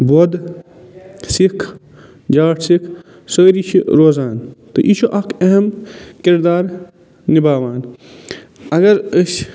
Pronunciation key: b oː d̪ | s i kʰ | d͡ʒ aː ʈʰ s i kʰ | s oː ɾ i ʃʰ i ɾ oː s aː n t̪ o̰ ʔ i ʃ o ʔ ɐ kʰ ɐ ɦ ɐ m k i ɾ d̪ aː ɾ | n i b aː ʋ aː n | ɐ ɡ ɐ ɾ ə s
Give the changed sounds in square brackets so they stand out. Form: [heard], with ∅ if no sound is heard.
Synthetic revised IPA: b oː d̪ | s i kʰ | d͡ʒ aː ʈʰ s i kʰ | s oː ɾ i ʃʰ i ɾ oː [z] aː n t̪ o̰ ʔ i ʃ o ʔ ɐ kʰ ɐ ɦ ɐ m k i ɾ d̪ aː ɾ | n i b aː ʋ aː n | ɐ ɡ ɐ ɾ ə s